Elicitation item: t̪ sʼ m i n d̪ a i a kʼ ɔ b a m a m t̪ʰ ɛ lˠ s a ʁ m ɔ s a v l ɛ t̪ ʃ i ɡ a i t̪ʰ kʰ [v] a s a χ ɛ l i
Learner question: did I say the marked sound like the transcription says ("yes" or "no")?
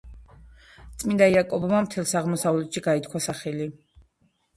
no